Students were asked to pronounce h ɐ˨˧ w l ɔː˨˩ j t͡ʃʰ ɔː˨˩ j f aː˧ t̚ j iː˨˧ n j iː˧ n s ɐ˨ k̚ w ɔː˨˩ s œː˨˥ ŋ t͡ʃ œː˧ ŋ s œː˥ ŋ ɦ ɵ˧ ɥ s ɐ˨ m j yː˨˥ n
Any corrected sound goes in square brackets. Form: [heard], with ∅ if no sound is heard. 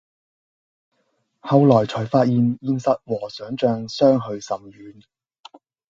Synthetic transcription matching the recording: h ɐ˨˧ w l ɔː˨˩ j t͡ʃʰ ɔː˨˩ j f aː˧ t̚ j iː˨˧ n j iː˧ n s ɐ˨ [t̚] w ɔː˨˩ s œː˨˥ ŋ t͡ʃ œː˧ ŋ s œː˥ ŋ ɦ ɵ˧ ɥ s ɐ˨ m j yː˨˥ n